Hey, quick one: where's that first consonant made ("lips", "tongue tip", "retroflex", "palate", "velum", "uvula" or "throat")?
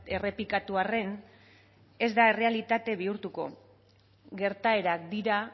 tongue tip